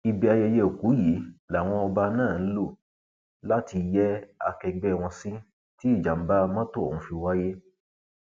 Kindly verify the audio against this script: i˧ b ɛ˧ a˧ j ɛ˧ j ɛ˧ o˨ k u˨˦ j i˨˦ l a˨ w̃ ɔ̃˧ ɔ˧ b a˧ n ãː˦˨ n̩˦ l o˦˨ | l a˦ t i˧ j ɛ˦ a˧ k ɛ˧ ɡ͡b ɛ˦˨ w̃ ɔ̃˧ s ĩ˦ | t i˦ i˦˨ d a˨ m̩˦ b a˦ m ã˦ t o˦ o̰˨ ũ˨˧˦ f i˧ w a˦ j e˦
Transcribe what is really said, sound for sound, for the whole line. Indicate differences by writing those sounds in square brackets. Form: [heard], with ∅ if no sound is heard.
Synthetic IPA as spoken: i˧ b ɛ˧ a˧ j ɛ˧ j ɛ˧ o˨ k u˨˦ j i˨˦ l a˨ w̃ ɔ̃˧ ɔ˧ b a˧ n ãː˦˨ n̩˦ l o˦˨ | l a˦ t i˧ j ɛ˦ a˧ k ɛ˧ ɡ͡b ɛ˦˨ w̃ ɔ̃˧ s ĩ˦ | t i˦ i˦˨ [d͡ʒ] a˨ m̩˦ b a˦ m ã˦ t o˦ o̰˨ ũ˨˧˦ f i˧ w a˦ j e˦

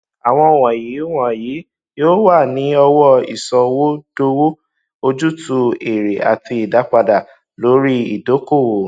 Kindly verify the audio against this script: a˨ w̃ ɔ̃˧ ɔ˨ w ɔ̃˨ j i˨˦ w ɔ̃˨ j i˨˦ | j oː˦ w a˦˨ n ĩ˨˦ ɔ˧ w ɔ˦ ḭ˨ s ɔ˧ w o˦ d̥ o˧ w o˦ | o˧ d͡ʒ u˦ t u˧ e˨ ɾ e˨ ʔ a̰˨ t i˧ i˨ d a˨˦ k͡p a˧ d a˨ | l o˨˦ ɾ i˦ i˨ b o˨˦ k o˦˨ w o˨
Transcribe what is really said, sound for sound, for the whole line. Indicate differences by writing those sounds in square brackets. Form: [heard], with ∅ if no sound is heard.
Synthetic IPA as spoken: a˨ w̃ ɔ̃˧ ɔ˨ w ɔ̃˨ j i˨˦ w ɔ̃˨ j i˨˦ | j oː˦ w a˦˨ n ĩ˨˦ ɔ˧ w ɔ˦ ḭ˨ s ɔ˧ w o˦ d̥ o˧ w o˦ | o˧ d͡ʒ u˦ t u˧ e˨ ɾ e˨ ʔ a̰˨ t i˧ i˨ d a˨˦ k͡p a˧ d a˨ | l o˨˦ ɾ i˦ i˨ [d] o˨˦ k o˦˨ w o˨

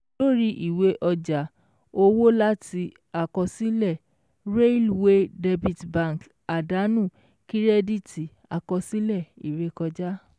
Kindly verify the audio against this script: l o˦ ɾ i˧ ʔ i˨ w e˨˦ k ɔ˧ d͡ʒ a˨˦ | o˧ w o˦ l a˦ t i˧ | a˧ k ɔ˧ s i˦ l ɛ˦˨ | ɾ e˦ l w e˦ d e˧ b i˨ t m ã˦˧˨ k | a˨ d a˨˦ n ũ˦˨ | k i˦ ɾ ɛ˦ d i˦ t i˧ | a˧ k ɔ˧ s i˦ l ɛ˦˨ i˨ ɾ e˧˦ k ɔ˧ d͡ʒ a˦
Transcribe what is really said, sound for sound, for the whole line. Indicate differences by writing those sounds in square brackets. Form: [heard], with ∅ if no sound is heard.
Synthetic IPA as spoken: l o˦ ɾ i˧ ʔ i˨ w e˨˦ [ʔ] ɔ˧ d͡ʒ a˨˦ | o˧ w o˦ l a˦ t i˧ | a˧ k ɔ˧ s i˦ l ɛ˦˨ | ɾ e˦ l w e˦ d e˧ b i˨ t [b] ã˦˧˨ k | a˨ d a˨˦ n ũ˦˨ | k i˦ ɾ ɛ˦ d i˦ t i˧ | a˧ k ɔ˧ s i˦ l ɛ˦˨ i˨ ɾ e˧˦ k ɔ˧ d͡ʒ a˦

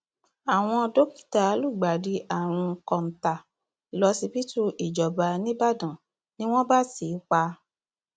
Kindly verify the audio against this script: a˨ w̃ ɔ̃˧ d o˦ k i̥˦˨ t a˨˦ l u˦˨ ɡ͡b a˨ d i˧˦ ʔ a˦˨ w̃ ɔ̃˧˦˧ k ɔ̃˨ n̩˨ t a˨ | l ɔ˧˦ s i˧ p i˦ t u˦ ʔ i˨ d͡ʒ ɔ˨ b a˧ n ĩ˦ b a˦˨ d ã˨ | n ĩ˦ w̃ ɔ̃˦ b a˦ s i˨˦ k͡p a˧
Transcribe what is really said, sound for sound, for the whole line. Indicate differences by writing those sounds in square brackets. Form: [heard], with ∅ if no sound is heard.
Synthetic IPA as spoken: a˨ w̃ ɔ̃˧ d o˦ k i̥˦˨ t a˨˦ l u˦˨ ɡ͡b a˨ d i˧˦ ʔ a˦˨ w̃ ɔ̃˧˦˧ k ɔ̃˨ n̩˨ t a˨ | l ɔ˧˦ s i˧ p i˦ t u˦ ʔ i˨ d͡ʒ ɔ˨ b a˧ n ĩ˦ b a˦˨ d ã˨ | n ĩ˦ w̃ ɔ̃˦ b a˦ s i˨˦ k͡p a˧

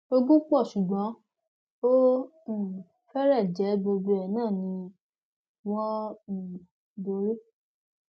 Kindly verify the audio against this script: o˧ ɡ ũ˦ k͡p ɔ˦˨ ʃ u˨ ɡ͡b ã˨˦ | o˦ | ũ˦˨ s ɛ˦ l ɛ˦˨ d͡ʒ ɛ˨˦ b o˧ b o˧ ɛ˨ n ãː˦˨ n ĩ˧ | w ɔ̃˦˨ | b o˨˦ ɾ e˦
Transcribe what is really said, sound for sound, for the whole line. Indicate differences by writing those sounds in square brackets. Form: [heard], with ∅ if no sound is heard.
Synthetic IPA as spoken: o˧ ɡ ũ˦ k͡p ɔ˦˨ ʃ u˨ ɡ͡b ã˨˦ | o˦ | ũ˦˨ [f] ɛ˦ [ɾ] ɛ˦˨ d͡ʒ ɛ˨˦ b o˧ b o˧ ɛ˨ n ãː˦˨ n ĩ˧ | w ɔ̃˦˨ | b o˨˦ ɾ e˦

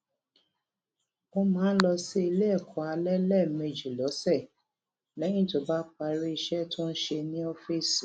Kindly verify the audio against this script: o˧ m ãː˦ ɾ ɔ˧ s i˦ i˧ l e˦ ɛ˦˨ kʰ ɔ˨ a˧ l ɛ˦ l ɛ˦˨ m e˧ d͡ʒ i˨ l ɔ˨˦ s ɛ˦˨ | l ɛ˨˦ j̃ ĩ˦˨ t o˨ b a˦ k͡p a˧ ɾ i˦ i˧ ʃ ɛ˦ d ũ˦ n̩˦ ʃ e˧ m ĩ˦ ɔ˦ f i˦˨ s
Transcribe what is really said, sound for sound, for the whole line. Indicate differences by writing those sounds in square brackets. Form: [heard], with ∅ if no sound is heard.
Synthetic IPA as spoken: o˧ m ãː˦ [l] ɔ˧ s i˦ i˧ l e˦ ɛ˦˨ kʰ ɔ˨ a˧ l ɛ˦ l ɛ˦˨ m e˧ d͡ʒ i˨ l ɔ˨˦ s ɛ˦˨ | l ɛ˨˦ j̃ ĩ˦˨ t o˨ b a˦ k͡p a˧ ɾ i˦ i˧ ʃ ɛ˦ [t] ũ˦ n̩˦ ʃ e˧ [n] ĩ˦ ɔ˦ f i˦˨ s

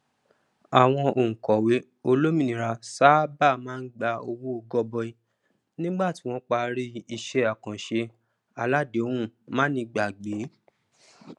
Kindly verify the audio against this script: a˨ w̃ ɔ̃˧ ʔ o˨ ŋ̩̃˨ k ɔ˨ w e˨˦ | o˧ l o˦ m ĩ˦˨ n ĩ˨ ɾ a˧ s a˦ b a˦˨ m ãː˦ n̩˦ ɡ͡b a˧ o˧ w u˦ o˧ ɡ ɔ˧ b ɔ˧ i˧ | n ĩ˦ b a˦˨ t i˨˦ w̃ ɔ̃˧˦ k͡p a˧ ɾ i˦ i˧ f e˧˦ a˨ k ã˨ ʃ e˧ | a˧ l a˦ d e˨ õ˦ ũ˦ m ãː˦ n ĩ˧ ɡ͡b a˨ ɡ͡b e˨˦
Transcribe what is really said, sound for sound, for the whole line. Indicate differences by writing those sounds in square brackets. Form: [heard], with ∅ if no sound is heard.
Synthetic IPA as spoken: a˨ w̃ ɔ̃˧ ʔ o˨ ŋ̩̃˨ k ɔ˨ w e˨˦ | o˧ l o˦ m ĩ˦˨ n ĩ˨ ɾ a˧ s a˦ b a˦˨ m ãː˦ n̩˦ ɡ͡b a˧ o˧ w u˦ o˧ ɡ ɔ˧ b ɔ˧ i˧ | n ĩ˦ [ɡ͡b] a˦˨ t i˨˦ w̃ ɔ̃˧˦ k͡p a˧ ɾ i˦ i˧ [ʃ] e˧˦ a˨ k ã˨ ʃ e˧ | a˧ l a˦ d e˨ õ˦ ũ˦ m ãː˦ n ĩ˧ ɡ͡b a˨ ɡ͡b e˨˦

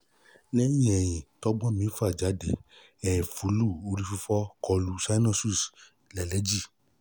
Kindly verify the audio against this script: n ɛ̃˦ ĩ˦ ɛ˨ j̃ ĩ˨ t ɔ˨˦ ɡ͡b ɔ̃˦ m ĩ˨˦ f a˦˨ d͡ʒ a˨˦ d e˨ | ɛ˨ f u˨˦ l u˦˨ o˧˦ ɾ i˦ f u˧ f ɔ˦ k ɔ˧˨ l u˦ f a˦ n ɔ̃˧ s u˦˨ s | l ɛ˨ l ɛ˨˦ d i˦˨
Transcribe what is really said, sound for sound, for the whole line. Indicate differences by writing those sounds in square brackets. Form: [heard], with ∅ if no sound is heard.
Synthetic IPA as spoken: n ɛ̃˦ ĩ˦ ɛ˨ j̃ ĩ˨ t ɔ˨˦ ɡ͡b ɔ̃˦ m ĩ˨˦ f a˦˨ d͡ʒ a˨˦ d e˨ | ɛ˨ f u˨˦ l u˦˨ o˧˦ ɾ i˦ f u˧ f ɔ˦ k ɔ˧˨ l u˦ [s] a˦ n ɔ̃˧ s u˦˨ s | l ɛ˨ l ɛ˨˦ [d͡ʒ] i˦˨

